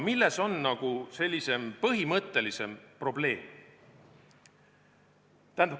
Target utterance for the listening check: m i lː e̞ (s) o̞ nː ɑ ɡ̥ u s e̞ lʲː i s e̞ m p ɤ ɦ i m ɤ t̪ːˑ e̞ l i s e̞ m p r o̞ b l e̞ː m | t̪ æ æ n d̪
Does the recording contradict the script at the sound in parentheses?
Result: no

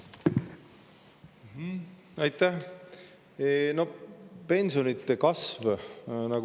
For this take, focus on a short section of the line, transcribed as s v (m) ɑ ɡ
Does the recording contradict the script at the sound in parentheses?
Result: yes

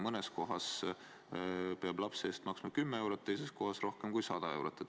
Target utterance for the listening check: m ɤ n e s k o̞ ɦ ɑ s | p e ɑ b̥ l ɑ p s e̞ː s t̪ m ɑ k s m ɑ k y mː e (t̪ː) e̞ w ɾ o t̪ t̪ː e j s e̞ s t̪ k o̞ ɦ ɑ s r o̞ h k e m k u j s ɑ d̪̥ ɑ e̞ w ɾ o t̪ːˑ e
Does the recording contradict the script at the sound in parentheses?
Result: yes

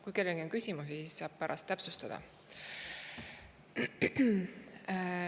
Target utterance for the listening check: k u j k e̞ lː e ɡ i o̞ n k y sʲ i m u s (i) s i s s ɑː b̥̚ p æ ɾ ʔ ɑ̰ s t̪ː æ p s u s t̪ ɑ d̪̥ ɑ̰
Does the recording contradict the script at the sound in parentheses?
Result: no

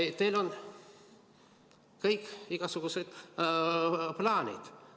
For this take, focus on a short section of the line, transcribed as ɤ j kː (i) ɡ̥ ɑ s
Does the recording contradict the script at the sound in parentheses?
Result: no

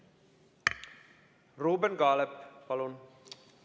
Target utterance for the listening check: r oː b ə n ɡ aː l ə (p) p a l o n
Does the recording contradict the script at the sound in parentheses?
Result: no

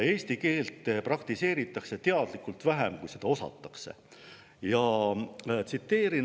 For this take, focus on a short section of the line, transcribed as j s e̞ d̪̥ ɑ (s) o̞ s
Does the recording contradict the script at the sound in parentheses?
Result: yes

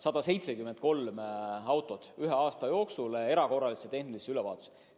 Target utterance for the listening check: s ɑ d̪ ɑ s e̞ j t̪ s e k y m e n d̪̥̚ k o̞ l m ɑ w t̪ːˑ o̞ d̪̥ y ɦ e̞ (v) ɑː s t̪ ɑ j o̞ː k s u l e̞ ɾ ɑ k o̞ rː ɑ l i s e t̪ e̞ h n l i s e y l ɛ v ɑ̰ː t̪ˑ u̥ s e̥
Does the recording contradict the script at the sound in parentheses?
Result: yes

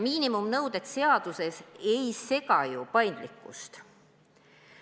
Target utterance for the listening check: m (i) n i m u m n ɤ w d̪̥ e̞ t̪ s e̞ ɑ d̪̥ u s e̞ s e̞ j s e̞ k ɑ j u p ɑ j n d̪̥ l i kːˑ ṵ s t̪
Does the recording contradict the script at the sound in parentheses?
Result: yes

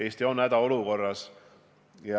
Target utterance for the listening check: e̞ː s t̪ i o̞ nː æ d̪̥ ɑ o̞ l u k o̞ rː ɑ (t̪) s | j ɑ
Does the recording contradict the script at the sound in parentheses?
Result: yes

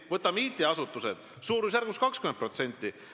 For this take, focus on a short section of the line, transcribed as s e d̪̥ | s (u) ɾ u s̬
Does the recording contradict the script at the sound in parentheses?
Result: yes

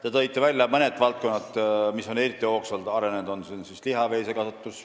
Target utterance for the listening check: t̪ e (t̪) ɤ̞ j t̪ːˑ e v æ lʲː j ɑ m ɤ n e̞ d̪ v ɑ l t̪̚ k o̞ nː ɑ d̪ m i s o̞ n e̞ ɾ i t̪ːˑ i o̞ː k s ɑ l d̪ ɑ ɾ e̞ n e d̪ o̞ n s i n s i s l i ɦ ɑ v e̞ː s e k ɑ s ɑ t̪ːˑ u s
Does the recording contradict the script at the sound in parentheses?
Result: no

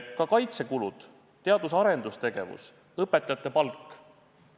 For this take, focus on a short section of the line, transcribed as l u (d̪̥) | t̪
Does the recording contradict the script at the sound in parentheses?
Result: no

